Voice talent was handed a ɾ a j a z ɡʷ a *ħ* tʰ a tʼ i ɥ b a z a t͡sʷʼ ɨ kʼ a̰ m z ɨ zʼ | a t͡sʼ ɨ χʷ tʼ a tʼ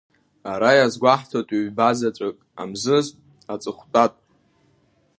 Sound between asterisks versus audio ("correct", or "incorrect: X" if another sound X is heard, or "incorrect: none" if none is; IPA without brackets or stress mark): correct